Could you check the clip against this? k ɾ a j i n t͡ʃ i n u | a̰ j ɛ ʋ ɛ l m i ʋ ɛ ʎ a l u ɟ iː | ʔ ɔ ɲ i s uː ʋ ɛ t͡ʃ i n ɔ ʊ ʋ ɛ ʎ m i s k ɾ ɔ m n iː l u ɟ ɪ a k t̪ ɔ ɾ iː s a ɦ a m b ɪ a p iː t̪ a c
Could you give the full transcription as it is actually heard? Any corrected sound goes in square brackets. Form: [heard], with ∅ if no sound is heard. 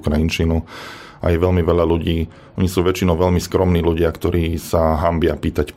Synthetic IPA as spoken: k ɾ a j i n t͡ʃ i n u | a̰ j ɛ ʋ ɛ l m i ʋ ɛ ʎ a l u ɟ iː | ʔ ɔ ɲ i s uː ʋ ɛ t͡ʃ i n ɔ ʊ ʋ ɛ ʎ m i s k ɾ ɔ m n iː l u ɟ ɪ a k t̪ ɔ ɾ iː s a ɦ a m b ɪ a p iː t̪ a c